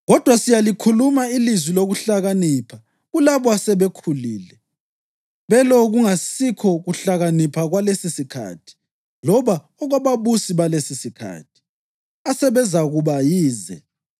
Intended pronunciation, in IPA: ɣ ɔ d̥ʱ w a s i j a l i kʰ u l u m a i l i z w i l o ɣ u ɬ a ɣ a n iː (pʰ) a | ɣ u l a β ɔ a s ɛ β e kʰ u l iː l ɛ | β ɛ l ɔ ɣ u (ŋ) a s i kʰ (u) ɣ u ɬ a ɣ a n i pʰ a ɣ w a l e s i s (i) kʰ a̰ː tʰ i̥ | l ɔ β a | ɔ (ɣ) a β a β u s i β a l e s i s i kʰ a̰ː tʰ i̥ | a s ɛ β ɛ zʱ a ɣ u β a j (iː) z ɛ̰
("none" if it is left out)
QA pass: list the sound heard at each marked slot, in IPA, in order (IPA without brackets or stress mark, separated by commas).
pʰ, ŋ, ɔ, i, ɣ, iː